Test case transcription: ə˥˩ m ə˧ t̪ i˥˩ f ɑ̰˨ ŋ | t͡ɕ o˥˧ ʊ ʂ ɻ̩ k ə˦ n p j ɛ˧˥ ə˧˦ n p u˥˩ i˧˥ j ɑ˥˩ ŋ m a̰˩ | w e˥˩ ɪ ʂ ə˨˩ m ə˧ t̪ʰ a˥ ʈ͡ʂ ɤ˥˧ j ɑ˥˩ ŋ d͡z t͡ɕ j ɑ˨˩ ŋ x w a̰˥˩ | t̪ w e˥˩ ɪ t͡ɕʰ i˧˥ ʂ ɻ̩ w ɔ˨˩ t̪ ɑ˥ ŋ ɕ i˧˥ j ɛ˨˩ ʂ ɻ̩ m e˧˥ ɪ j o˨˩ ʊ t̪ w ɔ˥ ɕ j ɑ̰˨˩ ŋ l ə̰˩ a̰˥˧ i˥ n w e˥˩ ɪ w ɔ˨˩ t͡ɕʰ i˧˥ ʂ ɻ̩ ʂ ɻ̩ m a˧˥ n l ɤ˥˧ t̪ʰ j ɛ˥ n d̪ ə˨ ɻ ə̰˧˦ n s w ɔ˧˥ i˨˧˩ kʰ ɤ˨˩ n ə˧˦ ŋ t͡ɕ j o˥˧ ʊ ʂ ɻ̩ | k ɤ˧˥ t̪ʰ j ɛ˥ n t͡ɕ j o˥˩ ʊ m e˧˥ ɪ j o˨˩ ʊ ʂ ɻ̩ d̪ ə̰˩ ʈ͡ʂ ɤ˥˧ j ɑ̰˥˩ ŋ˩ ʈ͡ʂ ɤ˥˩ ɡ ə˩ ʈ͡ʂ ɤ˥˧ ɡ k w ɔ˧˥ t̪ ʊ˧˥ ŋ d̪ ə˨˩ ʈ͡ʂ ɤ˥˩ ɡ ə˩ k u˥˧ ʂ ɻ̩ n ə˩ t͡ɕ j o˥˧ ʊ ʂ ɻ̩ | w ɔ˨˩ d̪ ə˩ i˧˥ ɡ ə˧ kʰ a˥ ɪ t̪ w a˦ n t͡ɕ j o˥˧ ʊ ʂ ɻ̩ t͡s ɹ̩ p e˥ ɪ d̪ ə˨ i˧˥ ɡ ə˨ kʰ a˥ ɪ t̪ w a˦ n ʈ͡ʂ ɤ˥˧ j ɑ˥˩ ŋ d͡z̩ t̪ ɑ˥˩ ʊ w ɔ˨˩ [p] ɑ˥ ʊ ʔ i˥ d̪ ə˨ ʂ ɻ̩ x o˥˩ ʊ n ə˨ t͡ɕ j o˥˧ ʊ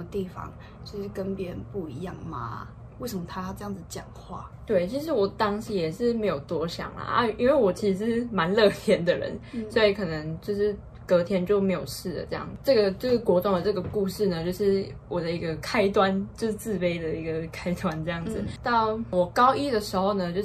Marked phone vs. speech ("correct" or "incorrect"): incorrect